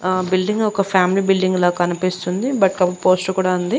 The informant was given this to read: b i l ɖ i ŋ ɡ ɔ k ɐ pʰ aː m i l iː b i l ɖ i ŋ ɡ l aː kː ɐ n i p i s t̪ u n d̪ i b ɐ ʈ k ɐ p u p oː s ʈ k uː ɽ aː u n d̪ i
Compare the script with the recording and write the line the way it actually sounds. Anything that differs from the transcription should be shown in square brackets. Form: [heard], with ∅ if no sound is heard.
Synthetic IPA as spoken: b i l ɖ i ŋ ɡ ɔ k ɐ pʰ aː m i l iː b i l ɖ i ŋ ɡ l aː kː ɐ n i p i s t̪ u n d̪ i b ɐ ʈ k ɐ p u p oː s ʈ k uː ɽ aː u n d̪ i